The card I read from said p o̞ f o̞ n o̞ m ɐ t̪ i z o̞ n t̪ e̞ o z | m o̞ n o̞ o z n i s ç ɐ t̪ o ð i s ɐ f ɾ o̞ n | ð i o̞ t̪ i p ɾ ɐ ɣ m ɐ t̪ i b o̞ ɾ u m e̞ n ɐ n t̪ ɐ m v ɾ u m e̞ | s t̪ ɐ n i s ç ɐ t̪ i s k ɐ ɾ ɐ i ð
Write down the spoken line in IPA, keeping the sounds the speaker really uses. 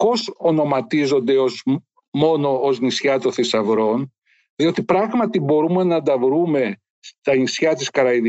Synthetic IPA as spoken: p o̞ s o̞ n o̞ m ɐ t̪ i z o̞ n d̪ e̞ o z | m o̞ n o̞ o z n i s ç ɐ t̪ o θ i s ɐ v ɾ o̞ n | ð i o̞ t̪ i p ɾ ɐ ɣ m ɐ t̪ i b o̞ ɾ u m e̞ n ɐ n d̪ ɐ v ɾ u m e̞ | s t̪ ɐ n i s ç ɐ t̪ i s k ɐ ɾ ɐ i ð